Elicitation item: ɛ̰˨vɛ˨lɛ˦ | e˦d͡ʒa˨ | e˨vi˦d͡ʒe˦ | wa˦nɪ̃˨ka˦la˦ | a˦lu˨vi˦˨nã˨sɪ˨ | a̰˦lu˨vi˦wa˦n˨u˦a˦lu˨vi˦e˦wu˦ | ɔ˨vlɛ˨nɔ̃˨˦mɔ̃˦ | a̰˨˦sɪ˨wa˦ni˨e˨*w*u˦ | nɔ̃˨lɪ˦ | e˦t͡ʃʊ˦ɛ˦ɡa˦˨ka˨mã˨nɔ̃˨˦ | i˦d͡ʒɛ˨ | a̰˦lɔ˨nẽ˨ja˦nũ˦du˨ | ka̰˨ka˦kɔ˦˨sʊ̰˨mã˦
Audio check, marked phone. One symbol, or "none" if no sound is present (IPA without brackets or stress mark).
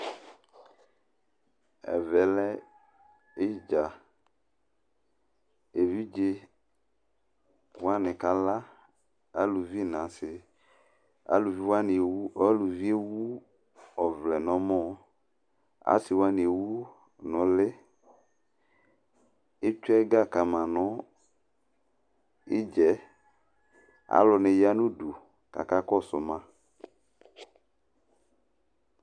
w